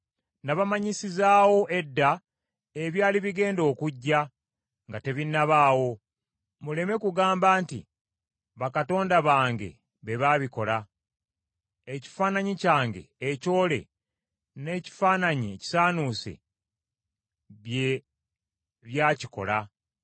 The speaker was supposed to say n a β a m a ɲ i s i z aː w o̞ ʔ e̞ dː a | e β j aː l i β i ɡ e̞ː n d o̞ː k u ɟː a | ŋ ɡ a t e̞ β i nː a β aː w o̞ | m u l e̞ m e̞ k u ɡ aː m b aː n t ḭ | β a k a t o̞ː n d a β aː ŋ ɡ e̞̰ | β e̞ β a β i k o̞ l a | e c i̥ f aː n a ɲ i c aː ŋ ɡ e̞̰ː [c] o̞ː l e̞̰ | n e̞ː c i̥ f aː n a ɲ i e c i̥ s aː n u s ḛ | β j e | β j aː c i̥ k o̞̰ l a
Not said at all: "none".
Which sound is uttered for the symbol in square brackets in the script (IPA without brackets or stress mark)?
c